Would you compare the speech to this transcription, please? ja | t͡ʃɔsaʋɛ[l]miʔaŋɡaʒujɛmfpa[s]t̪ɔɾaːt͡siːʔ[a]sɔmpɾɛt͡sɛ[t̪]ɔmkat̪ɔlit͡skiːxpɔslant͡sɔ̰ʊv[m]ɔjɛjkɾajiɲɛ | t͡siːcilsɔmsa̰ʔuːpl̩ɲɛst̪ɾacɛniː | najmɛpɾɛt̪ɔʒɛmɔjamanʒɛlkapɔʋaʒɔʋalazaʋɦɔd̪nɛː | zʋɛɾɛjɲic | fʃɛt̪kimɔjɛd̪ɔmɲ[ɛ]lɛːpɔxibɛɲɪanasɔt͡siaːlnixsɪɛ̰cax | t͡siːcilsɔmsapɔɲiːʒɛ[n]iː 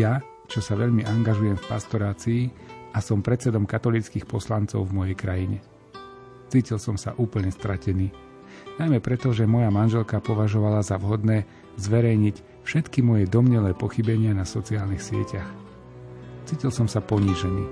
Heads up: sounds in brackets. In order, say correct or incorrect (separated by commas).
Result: incorrect, correct, correct, incorrect, correct, correct, correct